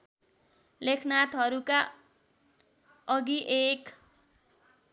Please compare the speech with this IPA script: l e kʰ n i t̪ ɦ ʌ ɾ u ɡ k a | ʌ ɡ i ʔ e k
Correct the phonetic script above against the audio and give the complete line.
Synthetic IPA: l e kʰ n a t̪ ɦ ʌ ɾ u k a | ʌ ɡ i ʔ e k